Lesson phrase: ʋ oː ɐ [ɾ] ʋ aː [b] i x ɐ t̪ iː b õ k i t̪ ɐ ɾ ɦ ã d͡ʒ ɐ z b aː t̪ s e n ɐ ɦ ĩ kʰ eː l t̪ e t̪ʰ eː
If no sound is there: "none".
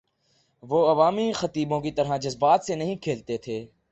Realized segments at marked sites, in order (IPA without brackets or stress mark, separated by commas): none, m